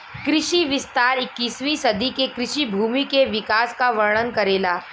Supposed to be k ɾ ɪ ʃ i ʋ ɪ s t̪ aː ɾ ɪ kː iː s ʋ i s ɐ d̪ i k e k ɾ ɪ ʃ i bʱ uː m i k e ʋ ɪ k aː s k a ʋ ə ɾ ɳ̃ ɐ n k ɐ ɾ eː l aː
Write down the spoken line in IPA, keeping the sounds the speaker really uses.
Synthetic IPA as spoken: k ɾ ɪ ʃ i ʋ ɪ s t̪ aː ɾ ɪ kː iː s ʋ i s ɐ d̪ i k e k ɾ ɪ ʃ i bʱ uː m i k e ʋ ɪ k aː s k a ʋ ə ɾ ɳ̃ ə n k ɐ ɾ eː l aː